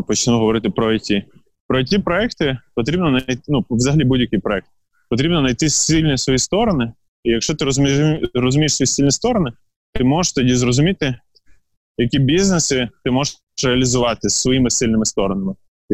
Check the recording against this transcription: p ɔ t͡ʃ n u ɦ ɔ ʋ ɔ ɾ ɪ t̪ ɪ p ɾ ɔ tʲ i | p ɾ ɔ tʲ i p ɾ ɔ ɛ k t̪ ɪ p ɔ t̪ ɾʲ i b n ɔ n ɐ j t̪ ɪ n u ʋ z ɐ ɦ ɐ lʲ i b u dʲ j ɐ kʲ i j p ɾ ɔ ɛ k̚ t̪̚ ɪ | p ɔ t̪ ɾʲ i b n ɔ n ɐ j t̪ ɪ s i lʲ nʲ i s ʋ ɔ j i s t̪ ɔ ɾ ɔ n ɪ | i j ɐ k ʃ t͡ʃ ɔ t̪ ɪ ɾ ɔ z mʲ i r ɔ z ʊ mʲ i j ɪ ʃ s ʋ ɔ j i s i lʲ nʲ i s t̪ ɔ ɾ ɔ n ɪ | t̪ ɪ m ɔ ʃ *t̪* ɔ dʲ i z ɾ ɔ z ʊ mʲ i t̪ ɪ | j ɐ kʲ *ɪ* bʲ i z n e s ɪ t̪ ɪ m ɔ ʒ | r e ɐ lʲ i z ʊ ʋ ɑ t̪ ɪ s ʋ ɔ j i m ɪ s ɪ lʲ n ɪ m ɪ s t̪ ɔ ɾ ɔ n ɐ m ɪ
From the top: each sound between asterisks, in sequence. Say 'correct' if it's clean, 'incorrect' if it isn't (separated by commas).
correct, incorrect